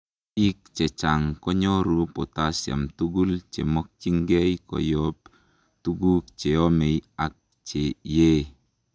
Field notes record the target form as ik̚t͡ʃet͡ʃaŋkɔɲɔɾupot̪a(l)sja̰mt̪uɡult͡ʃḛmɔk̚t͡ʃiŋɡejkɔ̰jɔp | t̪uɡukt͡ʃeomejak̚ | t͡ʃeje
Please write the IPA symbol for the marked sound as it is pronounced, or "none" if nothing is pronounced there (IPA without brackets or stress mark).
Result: none